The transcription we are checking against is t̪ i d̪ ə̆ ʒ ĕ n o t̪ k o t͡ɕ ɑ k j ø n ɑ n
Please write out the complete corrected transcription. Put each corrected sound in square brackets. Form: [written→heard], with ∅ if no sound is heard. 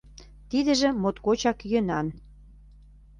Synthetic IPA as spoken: t̪ i d̪ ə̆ ʒ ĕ [n→m] o t̪ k o t͡ɕ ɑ k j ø n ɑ n

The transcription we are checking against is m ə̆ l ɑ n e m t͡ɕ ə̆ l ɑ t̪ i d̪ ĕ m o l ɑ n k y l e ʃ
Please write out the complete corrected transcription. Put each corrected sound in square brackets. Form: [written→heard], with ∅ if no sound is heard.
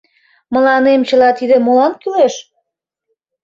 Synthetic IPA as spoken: m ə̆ l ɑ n e m t͡ɕ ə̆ l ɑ t̪ i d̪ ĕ m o l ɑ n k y l e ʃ

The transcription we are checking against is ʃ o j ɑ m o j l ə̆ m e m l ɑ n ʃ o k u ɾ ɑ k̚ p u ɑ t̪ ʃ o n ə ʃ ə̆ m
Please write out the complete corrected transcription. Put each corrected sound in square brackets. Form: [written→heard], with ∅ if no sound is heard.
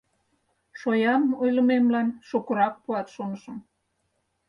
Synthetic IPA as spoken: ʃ o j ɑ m o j l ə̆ m e m l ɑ n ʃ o k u ɾ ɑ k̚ p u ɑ t̪ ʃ o n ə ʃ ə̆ m

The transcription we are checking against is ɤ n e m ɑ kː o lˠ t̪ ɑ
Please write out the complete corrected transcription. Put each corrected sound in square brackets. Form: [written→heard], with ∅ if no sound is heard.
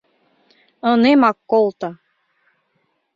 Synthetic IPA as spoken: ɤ n e m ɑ kː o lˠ t̪ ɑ

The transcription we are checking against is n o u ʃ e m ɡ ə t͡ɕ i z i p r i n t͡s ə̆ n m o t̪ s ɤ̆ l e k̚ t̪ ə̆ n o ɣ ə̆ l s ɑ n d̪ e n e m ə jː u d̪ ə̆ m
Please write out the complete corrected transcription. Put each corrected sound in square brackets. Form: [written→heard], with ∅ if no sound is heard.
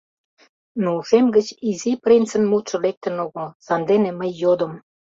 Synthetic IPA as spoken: n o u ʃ e m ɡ ə t͡ɕ i z i p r i n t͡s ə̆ n m [o→u] t̪ [s→ʃ] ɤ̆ l e k̚ t̪ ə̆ n o ɣ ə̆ l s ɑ n d̪ e n e m ə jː [u→o] d̪ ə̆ m

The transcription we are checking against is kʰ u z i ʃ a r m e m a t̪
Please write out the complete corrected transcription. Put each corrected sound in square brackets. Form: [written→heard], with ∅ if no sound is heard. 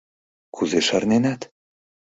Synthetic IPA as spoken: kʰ u z [i→e] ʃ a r [m→n] e [m→n] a t̪

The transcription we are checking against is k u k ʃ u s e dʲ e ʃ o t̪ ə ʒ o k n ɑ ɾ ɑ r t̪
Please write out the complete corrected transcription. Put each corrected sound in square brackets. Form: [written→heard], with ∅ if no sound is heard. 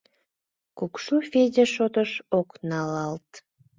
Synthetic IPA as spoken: k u k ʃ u [s→f] e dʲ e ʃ o t̪ ə [ʒ→ʃ] o k n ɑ [ɾ→l] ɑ [r→l] t̪

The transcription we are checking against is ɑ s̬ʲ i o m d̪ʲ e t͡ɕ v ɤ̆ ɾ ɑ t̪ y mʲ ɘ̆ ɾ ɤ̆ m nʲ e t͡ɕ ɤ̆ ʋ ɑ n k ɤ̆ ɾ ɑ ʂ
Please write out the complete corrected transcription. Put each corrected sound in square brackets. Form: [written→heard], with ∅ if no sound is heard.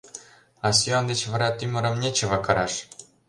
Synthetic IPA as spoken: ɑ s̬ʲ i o [m→n] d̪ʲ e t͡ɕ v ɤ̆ ɾ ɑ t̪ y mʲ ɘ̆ ɾ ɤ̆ m nʲ e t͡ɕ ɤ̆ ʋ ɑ [n→∅] k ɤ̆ ɾ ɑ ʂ

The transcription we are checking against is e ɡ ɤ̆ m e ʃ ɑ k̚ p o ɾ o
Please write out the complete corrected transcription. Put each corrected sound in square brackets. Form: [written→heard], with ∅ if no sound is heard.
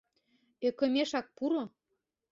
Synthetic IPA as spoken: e [ɡ→k] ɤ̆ m e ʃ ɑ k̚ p [o→u] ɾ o

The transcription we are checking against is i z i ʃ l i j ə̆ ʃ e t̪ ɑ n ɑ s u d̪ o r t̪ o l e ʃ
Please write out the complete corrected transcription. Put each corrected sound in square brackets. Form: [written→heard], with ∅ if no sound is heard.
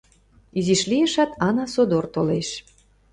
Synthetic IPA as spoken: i z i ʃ l i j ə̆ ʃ [e→æ] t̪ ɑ n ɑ s [u→o] d̪ o r t̪ o l e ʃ

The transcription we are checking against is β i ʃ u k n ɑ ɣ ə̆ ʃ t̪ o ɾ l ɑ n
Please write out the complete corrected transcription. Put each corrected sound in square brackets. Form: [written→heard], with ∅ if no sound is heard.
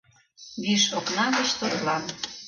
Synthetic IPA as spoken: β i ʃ [u→o] k n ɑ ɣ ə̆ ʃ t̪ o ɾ l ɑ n

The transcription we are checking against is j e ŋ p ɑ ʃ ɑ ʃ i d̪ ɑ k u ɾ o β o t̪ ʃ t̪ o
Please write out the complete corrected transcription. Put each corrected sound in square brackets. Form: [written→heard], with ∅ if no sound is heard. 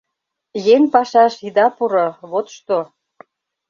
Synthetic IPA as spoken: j e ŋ p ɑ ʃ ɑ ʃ i d̪ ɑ [k→p] u ɾ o β o t̪ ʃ t̪ o

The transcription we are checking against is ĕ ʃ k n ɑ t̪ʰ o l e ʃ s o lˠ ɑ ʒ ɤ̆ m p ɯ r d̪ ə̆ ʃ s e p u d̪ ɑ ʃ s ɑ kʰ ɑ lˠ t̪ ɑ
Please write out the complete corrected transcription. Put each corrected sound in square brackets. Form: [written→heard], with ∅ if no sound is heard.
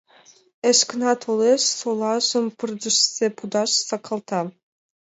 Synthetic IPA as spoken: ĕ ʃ k n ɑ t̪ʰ o l e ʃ s o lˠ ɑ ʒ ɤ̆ m p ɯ r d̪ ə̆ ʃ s e p u d̪ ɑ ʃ s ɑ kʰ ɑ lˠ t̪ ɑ

